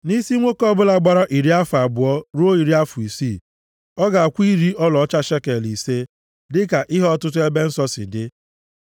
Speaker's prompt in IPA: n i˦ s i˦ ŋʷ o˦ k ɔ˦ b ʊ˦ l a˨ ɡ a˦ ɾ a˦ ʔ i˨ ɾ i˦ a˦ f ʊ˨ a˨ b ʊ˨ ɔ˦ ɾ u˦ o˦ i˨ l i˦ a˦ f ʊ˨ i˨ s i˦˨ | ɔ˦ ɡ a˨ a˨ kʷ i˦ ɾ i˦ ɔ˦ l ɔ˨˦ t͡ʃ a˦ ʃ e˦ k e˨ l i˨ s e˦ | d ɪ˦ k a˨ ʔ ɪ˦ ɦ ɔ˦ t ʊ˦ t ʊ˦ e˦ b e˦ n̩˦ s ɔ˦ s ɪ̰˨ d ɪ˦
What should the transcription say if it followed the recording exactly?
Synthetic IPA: n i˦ s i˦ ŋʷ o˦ k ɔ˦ b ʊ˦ l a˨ ɡ͡b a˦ ɾ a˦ ʔ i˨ ɾ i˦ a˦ f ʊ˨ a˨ b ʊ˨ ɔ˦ ɾ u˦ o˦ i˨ ɾ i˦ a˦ f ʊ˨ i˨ s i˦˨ | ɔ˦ ɡ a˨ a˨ kʷ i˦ ɾ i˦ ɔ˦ l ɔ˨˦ t͡ʃ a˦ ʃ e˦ k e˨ l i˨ s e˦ | d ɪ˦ k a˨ ʔ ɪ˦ ɦ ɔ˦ t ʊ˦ t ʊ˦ e˦ b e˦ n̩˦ s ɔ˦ s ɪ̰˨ d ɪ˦